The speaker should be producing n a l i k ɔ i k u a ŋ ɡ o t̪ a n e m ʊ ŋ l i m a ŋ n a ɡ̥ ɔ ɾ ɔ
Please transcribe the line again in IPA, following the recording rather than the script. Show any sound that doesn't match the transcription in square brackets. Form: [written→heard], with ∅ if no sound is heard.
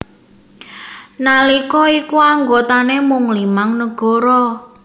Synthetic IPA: n a l i k ɔ i k u a ŋ ɡ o t̪ a n e m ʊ ŋ l i m a ŋ n [a→ə] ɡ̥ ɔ ɾ ɔ

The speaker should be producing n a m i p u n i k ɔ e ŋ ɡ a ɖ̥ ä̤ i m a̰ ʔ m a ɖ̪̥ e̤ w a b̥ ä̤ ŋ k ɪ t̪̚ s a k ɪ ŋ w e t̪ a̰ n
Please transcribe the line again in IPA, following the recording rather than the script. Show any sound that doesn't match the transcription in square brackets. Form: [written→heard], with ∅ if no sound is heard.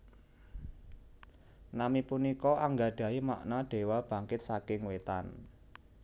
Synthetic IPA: n a m i p u n i k ɔ [e→a] ŋ ɡ a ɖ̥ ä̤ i m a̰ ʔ [m→n] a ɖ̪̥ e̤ w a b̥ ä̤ ŋ k ɪ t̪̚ s a k ɪ ŋ w e t̪ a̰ n

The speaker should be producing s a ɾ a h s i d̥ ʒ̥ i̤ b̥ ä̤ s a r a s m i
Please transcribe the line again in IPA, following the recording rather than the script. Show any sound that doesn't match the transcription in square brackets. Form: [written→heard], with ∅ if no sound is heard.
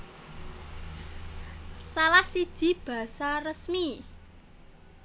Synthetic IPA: s a [ɾ→l] a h s i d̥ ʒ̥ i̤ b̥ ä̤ s a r [a→ə] s m i

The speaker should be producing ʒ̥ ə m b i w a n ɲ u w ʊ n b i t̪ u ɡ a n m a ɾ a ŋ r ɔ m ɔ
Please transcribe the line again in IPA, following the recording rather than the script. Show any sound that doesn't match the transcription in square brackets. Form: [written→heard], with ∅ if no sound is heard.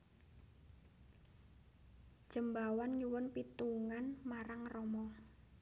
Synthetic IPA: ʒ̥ ə m b [i→a] w a n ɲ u w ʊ n [b→p] i t̪ u [ɡ→ŋ] a n m a ɾ a ŋ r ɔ m ɔ

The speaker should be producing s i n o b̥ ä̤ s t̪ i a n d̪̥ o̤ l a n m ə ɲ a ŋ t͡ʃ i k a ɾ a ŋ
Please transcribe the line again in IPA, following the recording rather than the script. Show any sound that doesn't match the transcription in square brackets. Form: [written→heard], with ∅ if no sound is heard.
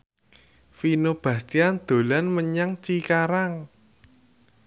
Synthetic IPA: [s→f] i n o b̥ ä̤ s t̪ i a n d̪̥ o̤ l a n m ə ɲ a ŋ t͡ʃ i k a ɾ a ŋ

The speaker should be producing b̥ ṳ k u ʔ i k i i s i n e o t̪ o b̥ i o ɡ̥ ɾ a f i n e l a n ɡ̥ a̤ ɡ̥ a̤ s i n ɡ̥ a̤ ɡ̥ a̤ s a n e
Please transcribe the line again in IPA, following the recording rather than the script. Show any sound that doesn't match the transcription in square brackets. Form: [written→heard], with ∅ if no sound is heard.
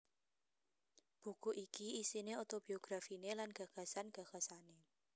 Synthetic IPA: b̥ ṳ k u ʔ i k i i s i n e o t̪ o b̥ i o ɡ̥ ɾ a f i n e l a n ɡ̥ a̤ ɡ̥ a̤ s [i→a] n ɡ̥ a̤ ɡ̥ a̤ s a n e

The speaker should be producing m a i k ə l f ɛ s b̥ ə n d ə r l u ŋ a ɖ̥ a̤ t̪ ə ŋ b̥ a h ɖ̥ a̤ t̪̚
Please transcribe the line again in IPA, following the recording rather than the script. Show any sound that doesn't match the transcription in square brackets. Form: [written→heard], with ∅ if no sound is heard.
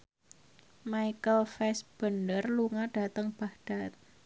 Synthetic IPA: m a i k ə l f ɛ s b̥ ə n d ə r l u ŋ a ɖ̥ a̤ t̪ ə ŋ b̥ a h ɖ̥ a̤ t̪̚

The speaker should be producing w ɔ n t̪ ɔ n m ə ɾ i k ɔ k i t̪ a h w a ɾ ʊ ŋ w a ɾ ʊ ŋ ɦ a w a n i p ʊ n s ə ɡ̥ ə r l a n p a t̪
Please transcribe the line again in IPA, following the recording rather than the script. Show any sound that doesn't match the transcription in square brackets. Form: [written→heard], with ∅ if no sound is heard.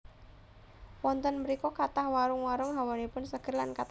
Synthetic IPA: w ɔ n t̪ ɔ n m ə ɾ i k ɔ k [i→a] t̪ a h w a ɾ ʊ ŋ w a ɾ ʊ ŋ ɦ a w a n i p ʊ n s ə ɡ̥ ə r l a n [p→k] a t̪

